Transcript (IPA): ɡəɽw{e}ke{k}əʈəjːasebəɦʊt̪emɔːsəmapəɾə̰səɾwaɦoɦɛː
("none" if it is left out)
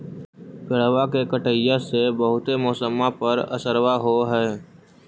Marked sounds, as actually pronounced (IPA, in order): a, k

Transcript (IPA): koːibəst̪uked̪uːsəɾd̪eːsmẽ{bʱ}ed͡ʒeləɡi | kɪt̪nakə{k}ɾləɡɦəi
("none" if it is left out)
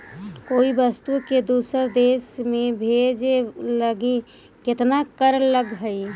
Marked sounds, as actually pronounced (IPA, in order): bʱ, none

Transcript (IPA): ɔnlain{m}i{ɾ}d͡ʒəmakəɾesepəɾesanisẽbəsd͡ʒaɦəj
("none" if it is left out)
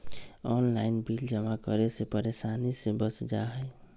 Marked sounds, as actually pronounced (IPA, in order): b, l

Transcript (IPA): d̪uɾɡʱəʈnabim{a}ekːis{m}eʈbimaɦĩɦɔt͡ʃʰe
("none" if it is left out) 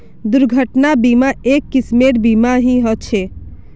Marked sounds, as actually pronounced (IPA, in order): a, m

